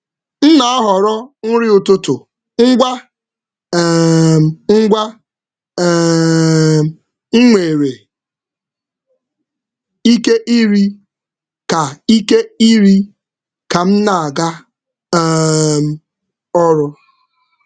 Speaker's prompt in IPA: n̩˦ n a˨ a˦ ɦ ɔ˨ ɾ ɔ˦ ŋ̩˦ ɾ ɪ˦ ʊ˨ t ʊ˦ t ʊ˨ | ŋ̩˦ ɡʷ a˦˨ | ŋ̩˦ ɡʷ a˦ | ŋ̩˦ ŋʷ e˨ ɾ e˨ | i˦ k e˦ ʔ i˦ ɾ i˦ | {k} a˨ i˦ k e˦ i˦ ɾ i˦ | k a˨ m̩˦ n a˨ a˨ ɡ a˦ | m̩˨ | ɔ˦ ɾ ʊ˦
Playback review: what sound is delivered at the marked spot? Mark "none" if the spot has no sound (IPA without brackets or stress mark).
k